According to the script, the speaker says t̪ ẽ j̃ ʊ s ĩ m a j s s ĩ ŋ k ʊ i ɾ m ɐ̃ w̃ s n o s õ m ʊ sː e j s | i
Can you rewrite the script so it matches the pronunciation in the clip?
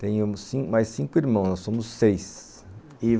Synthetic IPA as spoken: t̪ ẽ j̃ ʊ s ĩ m a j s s ĩ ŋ k ʊ i ɾ m ɐ̃ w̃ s n ɔ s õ m ʊ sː e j s | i

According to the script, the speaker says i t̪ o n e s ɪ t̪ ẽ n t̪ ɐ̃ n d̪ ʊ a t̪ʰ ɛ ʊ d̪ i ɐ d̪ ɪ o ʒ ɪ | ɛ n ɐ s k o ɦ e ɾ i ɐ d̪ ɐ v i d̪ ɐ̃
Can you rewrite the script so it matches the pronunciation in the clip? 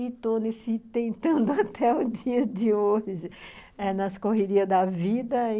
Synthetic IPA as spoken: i t̪ o n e s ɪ t̪ ẽ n t̪ ɐ̃ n d̪ ʊ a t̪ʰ ɛ ʊ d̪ i ɐ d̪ ɪ o ʒ ɪ | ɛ n ɐ s k o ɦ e ɾ i ɐ d̪ ɐ v i d̪ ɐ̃

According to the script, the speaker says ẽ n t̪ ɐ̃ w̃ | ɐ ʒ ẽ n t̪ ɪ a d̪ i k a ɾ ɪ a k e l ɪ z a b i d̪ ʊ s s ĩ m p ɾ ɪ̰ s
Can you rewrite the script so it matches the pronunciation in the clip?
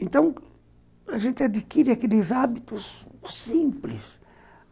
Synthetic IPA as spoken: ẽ n t̪ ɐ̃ w̃ | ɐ ʒ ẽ n t̪ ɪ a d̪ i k i ɾ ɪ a k e l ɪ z a b i t̪ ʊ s s ĩ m p l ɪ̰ s

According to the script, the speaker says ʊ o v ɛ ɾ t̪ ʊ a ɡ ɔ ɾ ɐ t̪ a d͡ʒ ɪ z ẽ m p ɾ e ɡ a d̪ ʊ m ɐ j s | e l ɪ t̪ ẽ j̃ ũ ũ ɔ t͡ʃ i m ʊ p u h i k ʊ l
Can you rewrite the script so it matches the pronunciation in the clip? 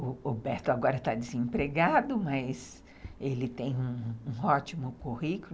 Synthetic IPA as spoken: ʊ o b ɛ ɾ t̪ ʊ a ɡ ɔ ɾ ɐ t̪ a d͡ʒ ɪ z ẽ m p ɾ e ɡ a d̪ ʊ m ɐ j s | e l ɪ t̪ ẽ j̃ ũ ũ ɔ t͡ʃ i m ʊ k u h i k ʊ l

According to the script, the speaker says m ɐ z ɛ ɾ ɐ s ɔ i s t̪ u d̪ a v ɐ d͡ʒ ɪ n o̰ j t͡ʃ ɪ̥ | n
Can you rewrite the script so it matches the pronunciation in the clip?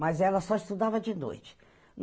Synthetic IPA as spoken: m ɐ z ɛ l ɐ s ɔ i s t̪ u d̪ a v ɐ d͡ʒ ɪ n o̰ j t͡ʃ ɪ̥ | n

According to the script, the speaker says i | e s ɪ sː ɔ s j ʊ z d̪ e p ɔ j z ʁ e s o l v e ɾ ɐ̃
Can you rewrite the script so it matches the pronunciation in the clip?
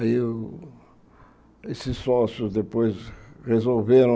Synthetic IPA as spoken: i | e s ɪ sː ɔ s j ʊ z d̪ e p o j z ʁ e z o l v e ɾ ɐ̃

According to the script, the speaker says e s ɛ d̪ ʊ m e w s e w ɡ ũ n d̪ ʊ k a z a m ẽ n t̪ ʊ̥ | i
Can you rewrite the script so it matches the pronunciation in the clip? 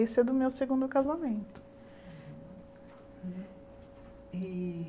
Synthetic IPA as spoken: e s ɛ d̪ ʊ m e w s e ɡ ũ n d̪ ʊ k a z a m ẽ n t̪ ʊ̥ | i

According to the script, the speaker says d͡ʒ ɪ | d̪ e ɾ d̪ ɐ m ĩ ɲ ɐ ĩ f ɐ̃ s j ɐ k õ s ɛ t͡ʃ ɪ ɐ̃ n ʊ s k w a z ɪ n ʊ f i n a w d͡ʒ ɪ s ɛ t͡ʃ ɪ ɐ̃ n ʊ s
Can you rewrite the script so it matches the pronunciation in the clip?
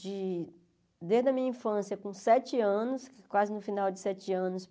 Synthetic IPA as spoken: d͡ʒ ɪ | d̪ e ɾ d̪ ɐ m ĩ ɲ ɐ ĩ f ɐ̃ s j ɐ k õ s ɛ t͡ʃ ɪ ɐ̃ n ʊ s k w a z ɪ n ʊ f i n a w d͡ʒ ɪ s ɛ t͡ʃ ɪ ɐ̃ n ʊ s

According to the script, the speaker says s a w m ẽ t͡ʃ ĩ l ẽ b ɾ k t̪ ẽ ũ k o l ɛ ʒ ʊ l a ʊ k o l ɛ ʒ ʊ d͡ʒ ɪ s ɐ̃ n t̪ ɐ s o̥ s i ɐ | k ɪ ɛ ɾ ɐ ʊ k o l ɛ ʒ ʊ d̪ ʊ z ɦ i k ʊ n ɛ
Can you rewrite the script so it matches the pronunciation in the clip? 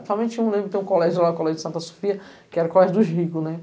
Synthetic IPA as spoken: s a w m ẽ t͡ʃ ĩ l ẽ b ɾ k t̪ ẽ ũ k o l ɛ ʒ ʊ l a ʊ k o l ɛ ʒ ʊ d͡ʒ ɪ s ɐ̃ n t̪ ɐ s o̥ f i ɐ | k ɪ ɛ ɾ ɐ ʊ k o l ɛ ʒ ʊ d̪ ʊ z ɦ i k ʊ n ɛ

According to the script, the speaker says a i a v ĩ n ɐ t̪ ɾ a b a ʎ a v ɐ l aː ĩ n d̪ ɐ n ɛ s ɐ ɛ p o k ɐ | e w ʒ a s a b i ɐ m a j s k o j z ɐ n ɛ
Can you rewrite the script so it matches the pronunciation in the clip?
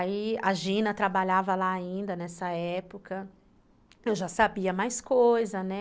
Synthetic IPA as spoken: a i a ʒ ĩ n ɐ t̪ ɾ a b a ʎ a v ɐ l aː ĩ n d̪ ɐ n ɛ s ɐ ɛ p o k ɐ | e w ʒ a s a b i ɐ m a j s k o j z ɐ n ɛ

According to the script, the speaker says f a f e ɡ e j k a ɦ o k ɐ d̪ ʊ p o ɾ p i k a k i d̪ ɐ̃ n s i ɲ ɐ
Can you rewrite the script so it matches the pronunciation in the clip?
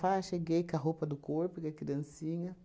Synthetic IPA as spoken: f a ʃ e ɡ e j k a ɦ o p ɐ d̪ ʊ k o ɾ p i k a k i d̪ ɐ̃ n s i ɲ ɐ

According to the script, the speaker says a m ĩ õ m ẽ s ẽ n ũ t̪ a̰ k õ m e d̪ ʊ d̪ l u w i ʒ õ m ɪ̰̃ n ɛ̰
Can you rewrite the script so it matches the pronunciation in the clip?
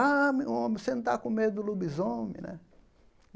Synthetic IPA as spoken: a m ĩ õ m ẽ s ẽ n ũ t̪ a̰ k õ m e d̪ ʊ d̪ l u b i z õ m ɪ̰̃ n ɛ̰

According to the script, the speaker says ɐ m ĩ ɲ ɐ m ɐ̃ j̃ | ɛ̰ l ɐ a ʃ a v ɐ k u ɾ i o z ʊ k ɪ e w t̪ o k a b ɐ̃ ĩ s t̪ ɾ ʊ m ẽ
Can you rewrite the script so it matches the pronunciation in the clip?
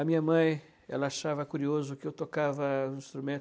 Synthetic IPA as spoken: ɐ m ĩ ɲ ɐ m ɐ̃ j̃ | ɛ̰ l ɐ a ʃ a v ɐ k u ɾ i o z ʊ k ɪ e w t̪ o k a v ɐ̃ ĩ s t̪ ɾ u m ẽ

